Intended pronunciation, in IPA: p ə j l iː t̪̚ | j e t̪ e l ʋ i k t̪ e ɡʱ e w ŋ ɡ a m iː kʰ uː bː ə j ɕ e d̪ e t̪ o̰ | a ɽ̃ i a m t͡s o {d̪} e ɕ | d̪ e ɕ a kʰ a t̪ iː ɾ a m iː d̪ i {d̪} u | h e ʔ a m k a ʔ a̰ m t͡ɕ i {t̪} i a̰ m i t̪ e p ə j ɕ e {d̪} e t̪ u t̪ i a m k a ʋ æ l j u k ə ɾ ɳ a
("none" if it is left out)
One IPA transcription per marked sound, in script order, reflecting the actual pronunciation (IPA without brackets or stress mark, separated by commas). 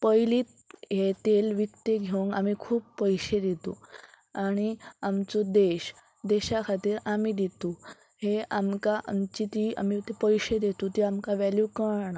d̪, t̪, t̪, d̪